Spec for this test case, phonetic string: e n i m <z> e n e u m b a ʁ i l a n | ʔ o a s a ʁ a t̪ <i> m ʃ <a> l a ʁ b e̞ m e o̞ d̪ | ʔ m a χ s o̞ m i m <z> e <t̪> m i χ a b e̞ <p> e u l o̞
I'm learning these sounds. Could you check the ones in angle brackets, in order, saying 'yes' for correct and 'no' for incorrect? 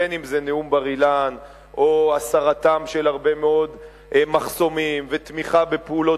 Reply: yes, no, no, no, yes, yes

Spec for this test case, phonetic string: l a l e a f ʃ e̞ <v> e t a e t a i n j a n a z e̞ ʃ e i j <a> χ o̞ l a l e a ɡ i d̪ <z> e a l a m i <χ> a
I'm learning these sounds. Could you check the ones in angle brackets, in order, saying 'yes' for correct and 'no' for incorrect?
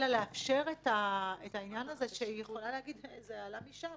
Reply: no, no, yes, no

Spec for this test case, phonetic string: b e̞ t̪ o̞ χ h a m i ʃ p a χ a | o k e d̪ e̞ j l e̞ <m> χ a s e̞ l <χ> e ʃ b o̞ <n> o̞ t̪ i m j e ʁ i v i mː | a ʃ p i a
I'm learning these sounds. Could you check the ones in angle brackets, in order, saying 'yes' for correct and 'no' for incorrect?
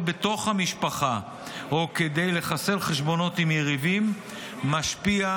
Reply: no, yes, yes

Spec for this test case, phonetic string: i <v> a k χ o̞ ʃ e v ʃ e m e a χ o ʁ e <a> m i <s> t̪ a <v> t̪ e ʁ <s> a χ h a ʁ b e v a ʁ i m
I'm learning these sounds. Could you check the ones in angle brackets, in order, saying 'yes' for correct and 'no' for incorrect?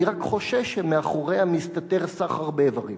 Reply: no, yes, yes, no, yes

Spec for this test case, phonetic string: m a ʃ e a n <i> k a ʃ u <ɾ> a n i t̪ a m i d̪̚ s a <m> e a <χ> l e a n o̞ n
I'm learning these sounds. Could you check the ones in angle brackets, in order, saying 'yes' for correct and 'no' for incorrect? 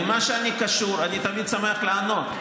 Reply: yes, yes, yes, yes

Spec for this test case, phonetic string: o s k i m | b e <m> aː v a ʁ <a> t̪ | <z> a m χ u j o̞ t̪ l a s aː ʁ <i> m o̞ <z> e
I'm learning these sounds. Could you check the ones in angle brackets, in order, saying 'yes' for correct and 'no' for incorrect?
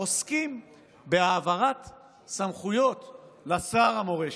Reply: no, yes, no, no, no

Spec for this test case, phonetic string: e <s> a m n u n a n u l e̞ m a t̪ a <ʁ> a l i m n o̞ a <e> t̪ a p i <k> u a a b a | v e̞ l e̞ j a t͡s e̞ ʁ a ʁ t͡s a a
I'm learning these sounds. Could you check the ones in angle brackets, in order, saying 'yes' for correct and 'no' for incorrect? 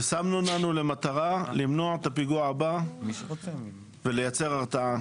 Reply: yes, yes, yes, no

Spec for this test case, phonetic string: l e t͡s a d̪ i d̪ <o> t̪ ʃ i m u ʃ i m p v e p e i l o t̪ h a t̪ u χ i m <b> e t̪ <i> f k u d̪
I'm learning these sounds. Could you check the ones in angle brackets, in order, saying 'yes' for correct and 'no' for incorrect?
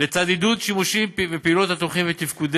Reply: no, no, yes

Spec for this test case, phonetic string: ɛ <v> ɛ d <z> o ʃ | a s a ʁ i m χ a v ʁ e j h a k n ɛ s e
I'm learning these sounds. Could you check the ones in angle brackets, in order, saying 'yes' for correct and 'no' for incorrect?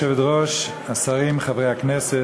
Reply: yes, no

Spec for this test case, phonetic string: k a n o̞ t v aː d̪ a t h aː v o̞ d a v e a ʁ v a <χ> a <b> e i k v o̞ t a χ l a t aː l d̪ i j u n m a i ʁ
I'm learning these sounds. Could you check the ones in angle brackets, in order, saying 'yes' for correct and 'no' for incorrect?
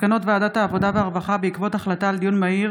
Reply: yes, yes

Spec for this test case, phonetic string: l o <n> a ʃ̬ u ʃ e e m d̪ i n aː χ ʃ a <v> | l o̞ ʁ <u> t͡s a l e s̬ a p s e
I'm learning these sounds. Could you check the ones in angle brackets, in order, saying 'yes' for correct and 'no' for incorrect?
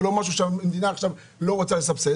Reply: no, yes, no

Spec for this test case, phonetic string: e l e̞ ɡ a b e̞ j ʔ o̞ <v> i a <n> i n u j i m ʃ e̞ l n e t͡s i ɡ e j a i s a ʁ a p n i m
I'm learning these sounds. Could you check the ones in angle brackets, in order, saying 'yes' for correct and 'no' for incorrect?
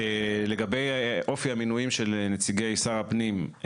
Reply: no, no

